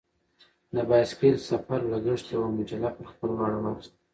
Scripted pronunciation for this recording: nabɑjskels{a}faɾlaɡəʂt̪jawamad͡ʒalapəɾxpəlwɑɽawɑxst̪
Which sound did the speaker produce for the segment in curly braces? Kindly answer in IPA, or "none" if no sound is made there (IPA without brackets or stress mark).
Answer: a